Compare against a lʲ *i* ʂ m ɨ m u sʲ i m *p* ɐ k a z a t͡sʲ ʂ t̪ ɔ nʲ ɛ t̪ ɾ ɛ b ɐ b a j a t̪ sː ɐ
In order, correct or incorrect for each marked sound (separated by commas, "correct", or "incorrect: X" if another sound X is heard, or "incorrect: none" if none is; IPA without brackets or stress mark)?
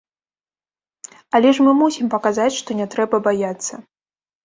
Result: incorrect: ɛ, correct